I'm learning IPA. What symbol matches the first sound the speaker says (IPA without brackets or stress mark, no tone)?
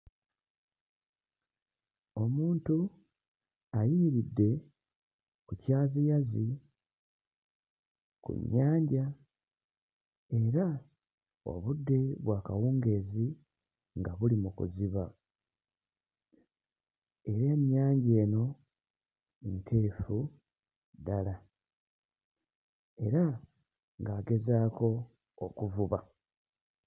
o̞